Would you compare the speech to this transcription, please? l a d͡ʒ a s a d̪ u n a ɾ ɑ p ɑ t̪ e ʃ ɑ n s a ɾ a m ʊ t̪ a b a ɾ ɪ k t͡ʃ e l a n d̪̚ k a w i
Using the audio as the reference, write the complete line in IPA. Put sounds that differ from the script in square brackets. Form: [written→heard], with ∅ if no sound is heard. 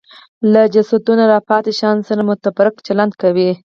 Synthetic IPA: l a d͡ʒ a s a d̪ u n a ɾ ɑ p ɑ t̪ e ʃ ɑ n s a ɾ a m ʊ t̪ a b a ɾ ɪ k t͡ʃ [e→a] l a n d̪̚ k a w i